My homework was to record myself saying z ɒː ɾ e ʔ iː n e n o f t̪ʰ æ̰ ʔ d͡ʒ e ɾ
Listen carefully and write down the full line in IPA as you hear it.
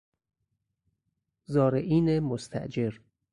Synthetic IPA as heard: z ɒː ɾ e ʔ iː n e m o s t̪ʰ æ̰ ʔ d͡ʒ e ɾ